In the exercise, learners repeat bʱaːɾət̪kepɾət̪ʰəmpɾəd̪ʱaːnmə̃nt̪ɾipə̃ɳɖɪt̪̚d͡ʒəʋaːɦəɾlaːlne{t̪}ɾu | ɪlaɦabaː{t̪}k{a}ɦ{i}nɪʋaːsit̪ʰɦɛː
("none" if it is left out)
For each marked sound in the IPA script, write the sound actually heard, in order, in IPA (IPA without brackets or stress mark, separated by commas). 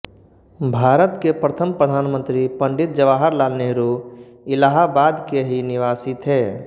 none, d̪, e, i